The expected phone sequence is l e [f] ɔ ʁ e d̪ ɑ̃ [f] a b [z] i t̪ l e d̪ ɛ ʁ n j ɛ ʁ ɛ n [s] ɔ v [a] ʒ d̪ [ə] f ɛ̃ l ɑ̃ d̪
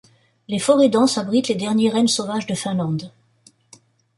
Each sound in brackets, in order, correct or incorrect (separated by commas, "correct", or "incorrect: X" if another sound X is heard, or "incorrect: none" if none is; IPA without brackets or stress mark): correct, incorrect: s, incorrect: ʁ, correct, correct, correct